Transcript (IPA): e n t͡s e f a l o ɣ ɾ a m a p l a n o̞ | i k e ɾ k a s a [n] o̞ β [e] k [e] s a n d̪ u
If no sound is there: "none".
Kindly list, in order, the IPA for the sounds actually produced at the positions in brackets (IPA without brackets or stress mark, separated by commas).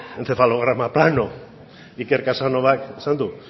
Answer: n, a, e